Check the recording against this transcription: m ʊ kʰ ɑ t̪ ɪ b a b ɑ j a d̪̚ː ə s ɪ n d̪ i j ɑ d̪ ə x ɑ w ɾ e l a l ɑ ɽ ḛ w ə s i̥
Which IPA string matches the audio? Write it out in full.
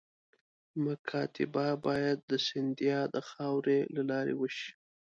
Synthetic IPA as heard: m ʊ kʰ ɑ t̪ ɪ b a b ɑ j a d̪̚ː ə s ɪ n d̪ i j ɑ d̪ ə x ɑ w ɾ e l a l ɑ ɾ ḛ w ə ʃ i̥